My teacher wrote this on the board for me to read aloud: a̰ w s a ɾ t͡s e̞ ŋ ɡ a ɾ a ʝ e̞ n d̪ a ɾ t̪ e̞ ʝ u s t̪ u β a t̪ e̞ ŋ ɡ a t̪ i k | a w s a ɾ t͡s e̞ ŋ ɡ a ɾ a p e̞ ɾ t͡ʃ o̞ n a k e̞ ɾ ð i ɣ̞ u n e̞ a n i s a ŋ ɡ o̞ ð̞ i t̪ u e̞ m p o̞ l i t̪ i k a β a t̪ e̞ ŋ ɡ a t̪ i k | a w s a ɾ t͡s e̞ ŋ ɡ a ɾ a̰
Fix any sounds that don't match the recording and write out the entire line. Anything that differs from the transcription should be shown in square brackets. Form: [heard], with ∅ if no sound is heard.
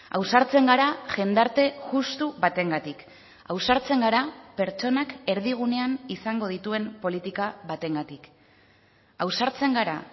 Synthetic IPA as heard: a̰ w s a ɾ t͡s e̞ ŋ ɡ a ɾ a ʝ e̞ n d̪ a ɾ t̪ e̞ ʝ u s t̪ u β a t̪ e̞ ŋ ɡ a t̪ i k | a w s a ɾ t͡s e̞ ŋ ɡ a ɾ a p e̞ ɾ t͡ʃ o̞ n a k e̞ ɾ ð i ɣ̞ u n e̞ a n i s a ŋ ɡ o̞ ð̞ i t̪ u e̞ m p o̞ l i t̪ i k a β a t̪ e̞ ŋ ɡ a t̪ i k | a w s a ɾ t͡s e̞ ŋ ɡ a ɾ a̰

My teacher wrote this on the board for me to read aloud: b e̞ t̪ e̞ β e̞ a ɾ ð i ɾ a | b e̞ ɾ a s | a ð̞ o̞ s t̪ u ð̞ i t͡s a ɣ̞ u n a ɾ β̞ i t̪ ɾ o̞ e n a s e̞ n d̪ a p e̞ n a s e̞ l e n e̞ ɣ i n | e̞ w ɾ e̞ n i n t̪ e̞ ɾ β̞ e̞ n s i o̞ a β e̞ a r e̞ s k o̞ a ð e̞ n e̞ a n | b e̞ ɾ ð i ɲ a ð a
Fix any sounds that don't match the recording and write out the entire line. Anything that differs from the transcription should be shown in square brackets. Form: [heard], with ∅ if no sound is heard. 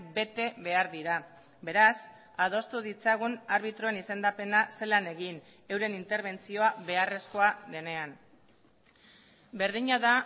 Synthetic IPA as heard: b e̞ t̪ e̞ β e̞ a ɾ ð i ɾ a | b e̞ ɾ a s | a ð̞ o̞ s t̪ u ð̞ i t͡s a ɣ̞ u n a ɾ β̞ i t̪ ɾ o̞ e n [i] s e̞ n d̪ a p e̞ n a s e̞ l [a] n e̞ ɣ i n | e̞ w ɾ e̞ n i n t̪ e̞ ɾ β̞ e̞ n [t͡s] i o̞ a β e̞ a r e̞ s k o̞ a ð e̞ n e̞ a n | b e̞ ɾ ð i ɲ a ð a

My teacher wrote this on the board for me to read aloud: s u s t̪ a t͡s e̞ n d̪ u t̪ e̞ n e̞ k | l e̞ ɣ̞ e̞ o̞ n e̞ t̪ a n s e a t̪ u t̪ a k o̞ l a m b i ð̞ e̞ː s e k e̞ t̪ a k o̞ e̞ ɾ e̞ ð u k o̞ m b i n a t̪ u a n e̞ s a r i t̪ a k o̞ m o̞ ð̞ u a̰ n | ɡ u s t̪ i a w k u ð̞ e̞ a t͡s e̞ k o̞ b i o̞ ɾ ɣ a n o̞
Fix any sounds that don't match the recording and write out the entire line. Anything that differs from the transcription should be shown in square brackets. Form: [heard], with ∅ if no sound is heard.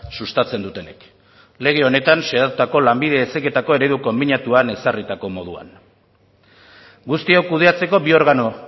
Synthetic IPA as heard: s u s t̪ a t͡s e̞ n d̪ u t̪ e̞ n e̞ k | l e̞ ɣ̞ e̞ o̞ n e̞ t̪ a n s e a t̪ u t̪ a k o̞ l a m b i ð̞ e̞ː s e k e̞ t̪ a k o̞ e̞ ɾ e̞ ð u k o̞ m b i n a t̪ u a n e̞ s a r i t̪ a k o̞ m o̞ ð̞ u a̰ n | ɡ u s t̪ i a w k u ð̞ e̞ a t͡s e̞ k o̞ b i o̞ ɾ ɣ a n o̞

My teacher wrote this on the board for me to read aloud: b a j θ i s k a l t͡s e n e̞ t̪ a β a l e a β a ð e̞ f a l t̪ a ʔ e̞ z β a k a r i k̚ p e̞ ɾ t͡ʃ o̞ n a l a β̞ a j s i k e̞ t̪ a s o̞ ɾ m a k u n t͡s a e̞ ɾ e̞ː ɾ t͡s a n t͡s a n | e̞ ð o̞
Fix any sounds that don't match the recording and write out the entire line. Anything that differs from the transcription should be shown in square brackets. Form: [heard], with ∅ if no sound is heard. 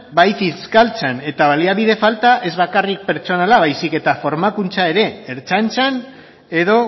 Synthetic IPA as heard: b a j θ i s k a l t͡s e n e̞ t̪ a β a l [i] a β [i] ð e̞ f a l t̪ a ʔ e̞ z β a k a r i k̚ p e̞ ɾ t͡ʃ o̞ n a l a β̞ a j s i k e̞ t̪ a [f] o̞ ɾ m a k u n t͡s a e̞ ɾ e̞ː ɾ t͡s a n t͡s a n | e̞ ð o̞

